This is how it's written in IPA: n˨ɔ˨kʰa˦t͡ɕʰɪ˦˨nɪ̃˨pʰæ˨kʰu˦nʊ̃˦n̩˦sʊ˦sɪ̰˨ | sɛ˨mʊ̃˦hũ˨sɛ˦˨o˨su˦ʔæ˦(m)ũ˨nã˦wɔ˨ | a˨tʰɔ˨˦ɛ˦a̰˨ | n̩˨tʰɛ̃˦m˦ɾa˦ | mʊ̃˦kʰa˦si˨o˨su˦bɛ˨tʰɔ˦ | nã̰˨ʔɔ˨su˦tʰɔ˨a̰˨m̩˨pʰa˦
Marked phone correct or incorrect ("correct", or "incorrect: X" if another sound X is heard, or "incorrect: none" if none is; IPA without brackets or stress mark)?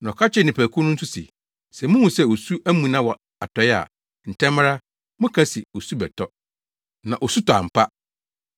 correct